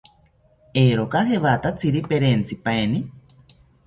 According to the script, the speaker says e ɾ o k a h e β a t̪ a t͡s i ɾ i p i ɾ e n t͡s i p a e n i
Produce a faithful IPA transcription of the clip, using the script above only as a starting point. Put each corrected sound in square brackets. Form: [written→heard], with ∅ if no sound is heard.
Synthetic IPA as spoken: e ɾ o k a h e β a t̪ a t͡s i ɾ i p [i→e] ɾ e n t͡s i p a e n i